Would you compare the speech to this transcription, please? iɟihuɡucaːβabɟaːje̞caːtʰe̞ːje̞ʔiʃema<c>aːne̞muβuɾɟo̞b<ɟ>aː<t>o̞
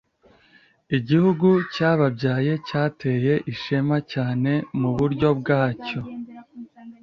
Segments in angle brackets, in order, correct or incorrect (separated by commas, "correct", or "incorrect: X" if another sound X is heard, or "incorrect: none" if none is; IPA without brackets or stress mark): correct, incorrect: ɡ, incorrect: c